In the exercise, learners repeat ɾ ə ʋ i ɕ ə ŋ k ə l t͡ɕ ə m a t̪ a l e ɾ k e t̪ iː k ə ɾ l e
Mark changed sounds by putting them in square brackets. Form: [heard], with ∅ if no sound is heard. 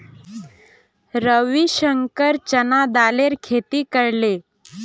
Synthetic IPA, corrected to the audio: ɾ ə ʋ i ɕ ə ŋ k ə [ɾ] t͡ɕ ə [n] a [d̪] a l e ɾ [kʰ] e t̪ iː k ə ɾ l e